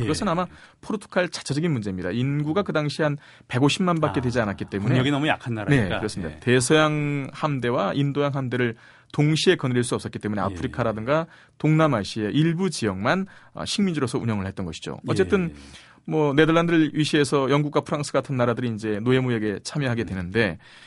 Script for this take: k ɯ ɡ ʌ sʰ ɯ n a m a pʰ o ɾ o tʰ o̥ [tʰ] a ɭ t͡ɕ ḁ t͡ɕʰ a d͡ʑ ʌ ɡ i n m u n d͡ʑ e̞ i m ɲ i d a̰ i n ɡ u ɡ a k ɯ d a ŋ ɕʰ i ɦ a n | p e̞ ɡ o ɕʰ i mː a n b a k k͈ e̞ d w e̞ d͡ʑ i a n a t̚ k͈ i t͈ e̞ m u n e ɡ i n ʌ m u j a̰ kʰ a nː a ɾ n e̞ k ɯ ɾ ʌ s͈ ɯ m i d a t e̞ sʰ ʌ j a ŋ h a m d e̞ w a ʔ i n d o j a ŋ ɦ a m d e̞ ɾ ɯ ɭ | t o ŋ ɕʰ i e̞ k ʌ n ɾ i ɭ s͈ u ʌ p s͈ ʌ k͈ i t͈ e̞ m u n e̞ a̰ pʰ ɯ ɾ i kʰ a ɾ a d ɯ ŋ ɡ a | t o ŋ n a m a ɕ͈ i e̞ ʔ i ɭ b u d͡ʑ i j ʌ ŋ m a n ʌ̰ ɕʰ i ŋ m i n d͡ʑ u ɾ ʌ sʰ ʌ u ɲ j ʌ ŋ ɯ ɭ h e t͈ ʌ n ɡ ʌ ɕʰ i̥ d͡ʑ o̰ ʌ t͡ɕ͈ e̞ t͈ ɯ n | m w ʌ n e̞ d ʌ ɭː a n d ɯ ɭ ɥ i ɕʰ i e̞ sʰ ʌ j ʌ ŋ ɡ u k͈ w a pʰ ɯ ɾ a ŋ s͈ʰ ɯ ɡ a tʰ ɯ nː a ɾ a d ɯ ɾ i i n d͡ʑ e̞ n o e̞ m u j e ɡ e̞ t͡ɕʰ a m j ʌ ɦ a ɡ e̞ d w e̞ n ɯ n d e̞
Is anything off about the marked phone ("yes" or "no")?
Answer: yes